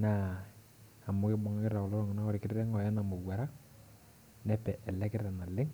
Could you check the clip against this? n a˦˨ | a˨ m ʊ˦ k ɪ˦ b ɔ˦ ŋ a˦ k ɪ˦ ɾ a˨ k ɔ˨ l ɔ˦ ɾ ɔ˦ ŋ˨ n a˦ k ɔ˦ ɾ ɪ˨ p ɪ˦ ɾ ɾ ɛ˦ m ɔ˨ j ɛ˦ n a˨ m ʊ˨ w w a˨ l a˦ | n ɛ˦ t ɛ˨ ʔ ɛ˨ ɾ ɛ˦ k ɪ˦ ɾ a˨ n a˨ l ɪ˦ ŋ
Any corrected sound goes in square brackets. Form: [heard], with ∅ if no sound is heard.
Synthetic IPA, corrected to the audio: n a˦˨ | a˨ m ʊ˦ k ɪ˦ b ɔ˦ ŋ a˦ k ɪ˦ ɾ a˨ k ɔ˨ l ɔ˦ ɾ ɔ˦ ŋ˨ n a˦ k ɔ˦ ɾ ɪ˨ [k] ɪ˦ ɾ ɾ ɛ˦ [ŋ] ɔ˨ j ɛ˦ n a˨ m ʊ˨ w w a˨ [ɾ] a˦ | n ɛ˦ [p] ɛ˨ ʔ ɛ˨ [l] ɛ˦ k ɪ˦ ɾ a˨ n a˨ l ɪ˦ ŋ